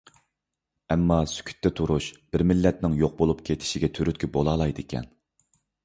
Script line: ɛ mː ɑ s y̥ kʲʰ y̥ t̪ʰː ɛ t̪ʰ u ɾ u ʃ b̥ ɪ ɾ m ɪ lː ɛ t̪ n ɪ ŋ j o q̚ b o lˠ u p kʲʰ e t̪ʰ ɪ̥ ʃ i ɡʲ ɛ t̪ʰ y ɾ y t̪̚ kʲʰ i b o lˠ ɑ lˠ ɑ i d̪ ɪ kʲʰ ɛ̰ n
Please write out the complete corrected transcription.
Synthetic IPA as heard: ɛ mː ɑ s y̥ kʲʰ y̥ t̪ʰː ɛ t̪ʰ u ɾ u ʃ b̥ ɪ ɾ m ɪ lː ɛ t̪ n ɪ ŋ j o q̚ b o lˠ u p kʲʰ e t̪ʰ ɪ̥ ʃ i ɡʲ ɛ t̪ʰ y ɾ y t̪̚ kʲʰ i b o lˠ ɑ lˠ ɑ j d̪ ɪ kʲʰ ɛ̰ n